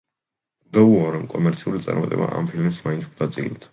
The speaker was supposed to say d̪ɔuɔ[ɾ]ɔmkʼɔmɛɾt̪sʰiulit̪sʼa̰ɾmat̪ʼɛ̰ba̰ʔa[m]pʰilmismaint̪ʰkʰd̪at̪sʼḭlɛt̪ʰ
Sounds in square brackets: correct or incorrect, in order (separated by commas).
correct, correct